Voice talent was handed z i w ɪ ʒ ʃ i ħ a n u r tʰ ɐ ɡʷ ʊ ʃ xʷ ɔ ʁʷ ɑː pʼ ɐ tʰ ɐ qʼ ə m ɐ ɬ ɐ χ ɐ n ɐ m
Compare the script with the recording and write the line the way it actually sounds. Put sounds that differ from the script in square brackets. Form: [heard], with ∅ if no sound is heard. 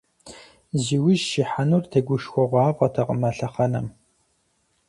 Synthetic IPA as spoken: z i w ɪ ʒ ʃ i ħ a n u r tʰ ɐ ɡʷ ʊ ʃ xʷ ɔ ʁʷ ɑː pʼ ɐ tʰ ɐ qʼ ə m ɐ ɬ ɐ χ ɐ n ɐ m